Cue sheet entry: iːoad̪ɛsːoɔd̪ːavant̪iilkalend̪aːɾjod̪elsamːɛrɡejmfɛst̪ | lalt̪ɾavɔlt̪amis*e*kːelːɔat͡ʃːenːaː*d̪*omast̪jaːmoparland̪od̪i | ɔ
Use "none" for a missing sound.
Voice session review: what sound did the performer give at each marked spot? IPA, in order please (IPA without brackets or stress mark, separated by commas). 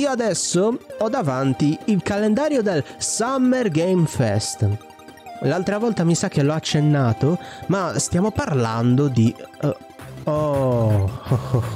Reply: a, t̪